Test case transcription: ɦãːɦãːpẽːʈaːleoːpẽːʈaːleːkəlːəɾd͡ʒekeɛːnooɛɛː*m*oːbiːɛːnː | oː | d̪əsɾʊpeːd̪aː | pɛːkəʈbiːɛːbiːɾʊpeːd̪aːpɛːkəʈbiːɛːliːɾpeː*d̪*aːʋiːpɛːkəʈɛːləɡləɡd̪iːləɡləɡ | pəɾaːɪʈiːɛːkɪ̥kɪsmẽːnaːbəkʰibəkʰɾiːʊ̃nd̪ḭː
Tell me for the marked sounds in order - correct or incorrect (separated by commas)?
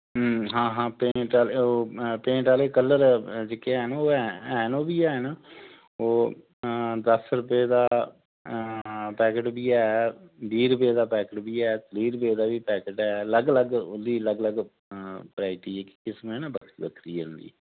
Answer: incorrect, correct